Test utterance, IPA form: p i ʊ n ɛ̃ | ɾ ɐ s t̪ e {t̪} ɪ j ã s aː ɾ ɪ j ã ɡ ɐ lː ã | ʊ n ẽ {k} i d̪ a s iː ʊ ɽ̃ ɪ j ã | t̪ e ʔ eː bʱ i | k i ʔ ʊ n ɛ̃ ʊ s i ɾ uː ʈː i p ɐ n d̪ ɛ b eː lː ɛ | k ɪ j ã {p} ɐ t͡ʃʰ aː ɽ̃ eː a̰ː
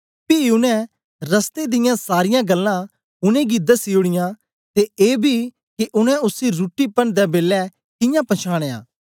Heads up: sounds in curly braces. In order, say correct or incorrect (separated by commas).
incorrect, incorrect, correct